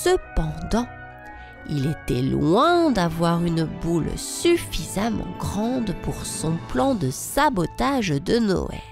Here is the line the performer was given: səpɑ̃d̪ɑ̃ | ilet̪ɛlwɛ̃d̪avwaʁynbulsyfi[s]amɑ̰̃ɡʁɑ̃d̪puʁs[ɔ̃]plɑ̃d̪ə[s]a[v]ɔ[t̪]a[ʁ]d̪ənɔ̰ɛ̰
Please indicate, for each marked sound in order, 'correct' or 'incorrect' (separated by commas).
incorrect, correct, correct, incorrect, correct, incorrect